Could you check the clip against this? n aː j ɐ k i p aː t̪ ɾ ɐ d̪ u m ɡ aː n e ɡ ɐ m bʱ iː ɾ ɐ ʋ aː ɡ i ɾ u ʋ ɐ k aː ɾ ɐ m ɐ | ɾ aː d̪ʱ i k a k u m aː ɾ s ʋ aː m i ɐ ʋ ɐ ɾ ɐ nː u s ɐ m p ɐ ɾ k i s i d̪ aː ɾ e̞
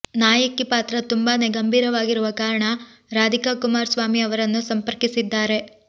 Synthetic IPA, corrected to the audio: n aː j ɐ k i p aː t̪ ɾ ɐ t̪ u m b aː n e ɡ ɐ m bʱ iː ɾ ɐ ʋ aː ɡ i ɾ u ʋ ɐ k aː ɾ ɐ ɳ ɐ | ɾ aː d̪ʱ i k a k u m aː ɾ s ʋ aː m i ɐ ʋ ɐ ɾ ɐ nː u s ɐ m p ɐ ɾ k i s i d̪ː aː ɾ e̞